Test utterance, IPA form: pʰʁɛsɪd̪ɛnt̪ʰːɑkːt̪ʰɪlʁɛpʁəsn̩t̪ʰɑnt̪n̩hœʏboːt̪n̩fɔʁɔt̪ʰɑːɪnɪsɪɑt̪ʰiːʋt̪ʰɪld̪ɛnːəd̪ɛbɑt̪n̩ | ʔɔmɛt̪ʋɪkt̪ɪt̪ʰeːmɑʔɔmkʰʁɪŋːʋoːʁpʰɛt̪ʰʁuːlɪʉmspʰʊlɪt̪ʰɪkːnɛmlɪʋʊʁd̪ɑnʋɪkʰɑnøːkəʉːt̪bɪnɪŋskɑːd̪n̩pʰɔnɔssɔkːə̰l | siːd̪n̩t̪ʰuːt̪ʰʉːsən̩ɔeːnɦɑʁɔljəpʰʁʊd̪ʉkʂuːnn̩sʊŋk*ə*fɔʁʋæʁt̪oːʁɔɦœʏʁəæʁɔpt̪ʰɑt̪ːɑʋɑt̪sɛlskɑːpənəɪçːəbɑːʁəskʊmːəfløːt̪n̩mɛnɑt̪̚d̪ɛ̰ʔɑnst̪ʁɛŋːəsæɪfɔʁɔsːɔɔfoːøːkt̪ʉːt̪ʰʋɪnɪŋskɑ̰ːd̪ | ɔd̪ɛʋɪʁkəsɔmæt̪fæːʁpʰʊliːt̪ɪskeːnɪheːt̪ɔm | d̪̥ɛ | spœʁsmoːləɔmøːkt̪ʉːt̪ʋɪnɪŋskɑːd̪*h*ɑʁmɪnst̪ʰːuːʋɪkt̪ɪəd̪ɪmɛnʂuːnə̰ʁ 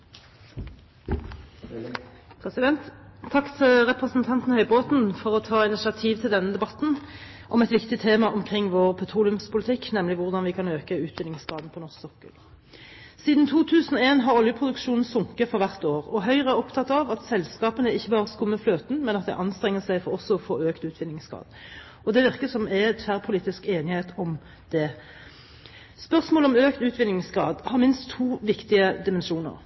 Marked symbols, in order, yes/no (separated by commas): yes, yes